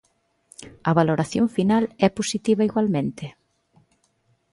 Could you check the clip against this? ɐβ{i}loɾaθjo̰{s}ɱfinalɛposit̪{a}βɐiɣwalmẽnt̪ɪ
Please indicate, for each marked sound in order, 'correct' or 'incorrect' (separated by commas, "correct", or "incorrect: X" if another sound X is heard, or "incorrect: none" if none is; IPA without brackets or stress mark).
incorrect: a, incorrect: none, incorrect: i